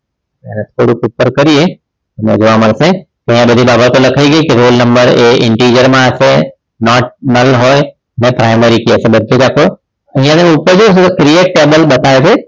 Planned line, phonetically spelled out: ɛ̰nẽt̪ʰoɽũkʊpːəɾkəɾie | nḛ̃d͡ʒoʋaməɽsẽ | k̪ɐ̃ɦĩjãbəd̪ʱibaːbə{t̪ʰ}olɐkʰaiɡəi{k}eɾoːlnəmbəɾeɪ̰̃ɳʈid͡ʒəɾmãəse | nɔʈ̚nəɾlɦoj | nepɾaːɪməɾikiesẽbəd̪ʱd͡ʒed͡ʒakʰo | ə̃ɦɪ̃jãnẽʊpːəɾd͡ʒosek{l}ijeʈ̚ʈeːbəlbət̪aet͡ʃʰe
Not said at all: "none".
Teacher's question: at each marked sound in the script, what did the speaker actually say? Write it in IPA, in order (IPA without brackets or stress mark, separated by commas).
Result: t̪, k, ɾ